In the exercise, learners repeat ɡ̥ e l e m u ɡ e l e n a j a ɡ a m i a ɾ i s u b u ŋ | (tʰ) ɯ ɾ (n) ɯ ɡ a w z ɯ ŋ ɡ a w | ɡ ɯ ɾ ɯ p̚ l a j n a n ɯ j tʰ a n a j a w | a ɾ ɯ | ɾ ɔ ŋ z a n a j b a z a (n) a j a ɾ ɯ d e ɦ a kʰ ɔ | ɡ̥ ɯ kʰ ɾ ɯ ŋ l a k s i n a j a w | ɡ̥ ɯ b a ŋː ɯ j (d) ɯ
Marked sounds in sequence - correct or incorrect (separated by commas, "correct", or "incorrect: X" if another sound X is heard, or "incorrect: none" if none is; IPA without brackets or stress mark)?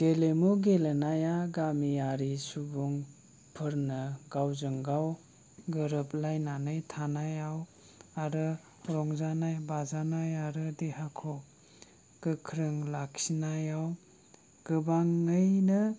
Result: incorrect: pʰ, correct, correct, incorrect: n